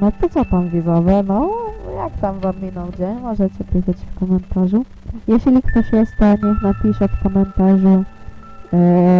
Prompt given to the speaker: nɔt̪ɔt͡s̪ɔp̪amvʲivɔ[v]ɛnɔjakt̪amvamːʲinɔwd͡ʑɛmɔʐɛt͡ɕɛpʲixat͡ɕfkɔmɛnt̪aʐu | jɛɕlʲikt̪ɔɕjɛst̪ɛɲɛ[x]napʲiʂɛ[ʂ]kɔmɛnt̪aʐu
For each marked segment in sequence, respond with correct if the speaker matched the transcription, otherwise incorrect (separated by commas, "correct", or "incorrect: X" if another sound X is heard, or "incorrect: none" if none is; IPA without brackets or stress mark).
correct, correct, incorrect: f